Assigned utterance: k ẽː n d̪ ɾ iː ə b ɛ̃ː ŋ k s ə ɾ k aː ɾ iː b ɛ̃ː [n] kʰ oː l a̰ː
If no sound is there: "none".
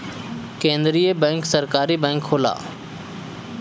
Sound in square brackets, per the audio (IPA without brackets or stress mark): ŋ